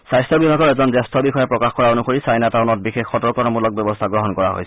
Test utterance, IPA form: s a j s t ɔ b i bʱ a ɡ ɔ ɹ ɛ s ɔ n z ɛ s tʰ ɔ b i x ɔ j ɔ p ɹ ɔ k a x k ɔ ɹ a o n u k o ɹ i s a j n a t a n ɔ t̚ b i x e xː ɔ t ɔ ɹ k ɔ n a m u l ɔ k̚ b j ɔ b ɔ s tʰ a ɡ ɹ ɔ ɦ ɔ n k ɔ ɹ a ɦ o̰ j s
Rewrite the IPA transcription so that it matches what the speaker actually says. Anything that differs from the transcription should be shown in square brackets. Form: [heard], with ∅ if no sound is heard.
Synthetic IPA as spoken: s a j s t ɔ b i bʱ a ɡ ɔ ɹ ɛ [z] ɔ n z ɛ s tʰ ɔ b i x ɔ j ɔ p ɹ ɔ k a x k ɔ ɹ a o n u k o ɹ i s a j n a t a n ɔ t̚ b i x e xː ɔ t ɔ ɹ k ɔ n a m u l ɔ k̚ b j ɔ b ɔ s tʰ a ɡ ɹ ɔ ɦ ɔ n k ɔ ɹ a ɦ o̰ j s

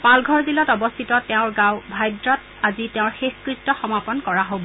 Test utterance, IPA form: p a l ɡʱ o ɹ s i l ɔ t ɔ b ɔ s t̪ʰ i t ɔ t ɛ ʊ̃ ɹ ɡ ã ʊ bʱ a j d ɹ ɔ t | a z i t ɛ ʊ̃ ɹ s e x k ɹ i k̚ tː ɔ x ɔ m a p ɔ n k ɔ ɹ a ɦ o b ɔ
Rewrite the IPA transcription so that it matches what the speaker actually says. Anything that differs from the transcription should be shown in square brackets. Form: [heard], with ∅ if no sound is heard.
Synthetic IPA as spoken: p a l ɡʱ [ɔ] ɹ [z] i l ɔ t ɔ b ɔ s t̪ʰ i t ɔ t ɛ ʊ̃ ɹ ɡ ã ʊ bʱ a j d ɹ ɔ t | a z i t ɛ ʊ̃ ɹ [x] e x k ɹ i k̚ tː ɔ x ɔ m a p ɔ n k ɔ ɹ a ɦ o b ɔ

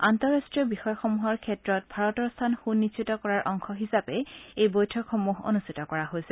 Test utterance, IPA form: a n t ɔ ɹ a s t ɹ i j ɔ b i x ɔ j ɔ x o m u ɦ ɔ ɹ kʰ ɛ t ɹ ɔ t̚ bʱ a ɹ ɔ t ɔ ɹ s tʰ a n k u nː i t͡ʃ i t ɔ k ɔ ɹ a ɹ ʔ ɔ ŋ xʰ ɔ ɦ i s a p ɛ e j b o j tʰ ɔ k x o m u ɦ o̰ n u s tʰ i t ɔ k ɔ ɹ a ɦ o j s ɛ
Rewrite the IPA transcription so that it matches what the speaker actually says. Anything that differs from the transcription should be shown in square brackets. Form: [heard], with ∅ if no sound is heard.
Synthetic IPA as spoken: a n t ɔ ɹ a s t ɹ i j ɔ b i x ɔ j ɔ x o m u ɦ ɔ ɹ kʰ ɛ t ɹ ɔ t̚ bʱ a ɹ ɔ t ɔ ɹ s tʰ a n [x] u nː i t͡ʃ i t ɔ k ɔ ɹ a ɹ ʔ ɔ ŋ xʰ ɔ ɦ i s a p ɛ e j b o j tʰ ɔ k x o m u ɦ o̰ n u s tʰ i t ɔ k ɔ ɹ a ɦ o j s ɛ

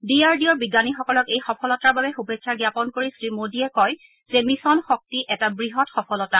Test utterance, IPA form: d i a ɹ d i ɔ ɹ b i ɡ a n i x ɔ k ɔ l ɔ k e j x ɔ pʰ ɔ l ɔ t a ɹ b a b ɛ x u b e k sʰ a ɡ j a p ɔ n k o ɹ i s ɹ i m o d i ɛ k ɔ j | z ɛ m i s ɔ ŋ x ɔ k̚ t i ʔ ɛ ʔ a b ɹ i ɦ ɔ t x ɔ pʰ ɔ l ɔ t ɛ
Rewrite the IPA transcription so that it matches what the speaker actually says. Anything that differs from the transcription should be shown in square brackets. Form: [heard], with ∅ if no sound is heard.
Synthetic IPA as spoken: d i a ɹ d i ɔ ɹ b i ɡ a n i x ɔ k ɔ l ɔ k e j x ɔ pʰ ɔ l ɔ t a ɹ b a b ɛ x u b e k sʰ a ɡ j a p ɔ n k o ɹ i s ɹ i m o d i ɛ k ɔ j | z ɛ m i s ɔ [n] x ɔ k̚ t i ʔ ɛ [t] a b ɹ i ɦ ɔ t x ɔ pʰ ɔ l ɔ t [a]

